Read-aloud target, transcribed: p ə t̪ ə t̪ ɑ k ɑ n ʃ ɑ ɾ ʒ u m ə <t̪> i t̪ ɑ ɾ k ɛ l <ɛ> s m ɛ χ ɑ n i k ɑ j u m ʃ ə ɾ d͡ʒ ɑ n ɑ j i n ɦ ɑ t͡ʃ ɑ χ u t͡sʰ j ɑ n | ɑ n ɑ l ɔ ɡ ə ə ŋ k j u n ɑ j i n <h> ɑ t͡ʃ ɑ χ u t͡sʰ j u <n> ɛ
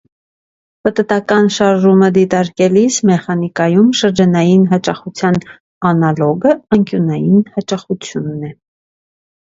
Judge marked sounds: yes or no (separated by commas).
no, no, yes, no